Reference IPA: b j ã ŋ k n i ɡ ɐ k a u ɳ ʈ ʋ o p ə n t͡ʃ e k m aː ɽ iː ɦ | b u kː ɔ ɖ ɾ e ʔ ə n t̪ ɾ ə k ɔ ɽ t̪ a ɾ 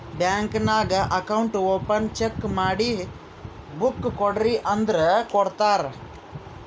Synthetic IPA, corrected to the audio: b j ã ŋ k n a ɡ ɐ k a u ɳ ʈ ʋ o p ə n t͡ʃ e k m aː ɽ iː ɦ | b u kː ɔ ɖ ɾ i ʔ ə n d̪ ɾ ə k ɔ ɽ t̪ a ɾ